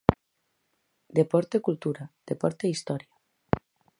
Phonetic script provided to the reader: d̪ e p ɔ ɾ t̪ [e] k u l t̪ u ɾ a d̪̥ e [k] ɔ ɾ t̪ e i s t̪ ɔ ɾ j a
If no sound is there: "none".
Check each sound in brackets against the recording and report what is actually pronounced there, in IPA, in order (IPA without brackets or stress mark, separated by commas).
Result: e, p